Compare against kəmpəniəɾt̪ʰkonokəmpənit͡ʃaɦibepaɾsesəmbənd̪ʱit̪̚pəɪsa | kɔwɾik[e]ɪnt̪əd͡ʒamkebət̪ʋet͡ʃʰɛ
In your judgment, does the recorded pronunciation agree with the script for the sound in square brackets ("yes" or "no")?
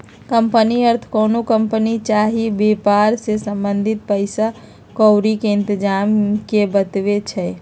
yes